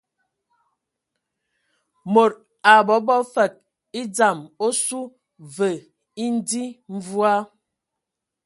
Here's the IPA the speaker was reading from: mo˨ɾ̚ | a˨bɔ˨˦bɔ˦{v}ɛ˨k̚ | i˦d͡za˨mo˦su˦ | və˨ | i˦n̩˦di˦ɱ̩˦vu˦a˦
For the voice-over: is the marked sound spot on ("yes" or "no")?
no